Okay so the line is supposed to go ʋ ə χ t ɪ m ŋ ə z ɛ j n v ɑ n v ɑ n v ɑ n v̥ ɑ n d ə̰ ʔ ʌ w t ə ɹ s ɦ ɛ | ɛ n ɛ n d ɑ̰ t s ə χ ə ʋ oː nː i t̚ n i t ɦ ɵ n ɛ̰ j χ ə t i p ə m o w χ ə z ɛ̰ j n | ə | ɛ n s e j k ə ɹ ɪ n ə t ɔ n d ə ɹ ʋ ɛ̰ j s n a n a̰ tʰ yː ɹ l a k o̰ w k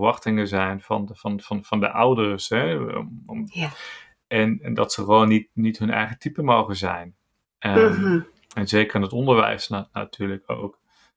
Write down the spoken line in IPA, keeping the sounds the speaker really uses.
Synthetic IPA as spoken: ʋ ɑ χ t ɪ ŋ ə z ɛ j n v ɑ n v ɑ n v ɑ n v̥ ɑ n d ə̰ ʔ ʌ w d ə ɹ s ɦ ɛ | ɛ n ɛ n d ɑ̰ t s ə χ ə ʋ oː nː i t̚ n i t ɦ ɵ n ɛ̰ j χ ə t i p ə m o w χ ə z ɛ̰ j n | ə | ɛ n z e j k ə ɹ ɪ n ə t ɔ n d ə ɹ ʋ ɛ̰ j s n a n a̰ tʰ yː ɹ l ə k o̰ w k